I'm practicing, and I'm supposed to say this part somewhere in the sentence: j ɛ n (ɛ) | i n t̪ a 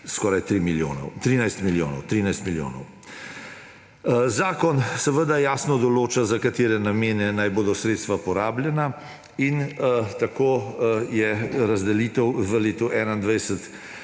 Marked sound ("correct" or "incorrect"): incorrect